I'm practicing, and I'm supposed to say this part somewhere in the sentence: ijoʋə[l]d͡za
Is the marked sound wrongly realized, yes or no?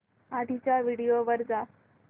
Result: yes